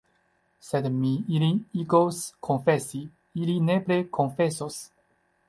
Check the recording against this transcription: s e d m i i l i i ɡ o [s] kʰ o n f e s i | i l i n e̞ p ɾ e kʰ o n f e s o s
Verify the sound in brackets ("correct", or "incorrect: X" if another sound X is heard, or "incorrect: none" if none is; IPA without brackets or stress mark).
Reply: correct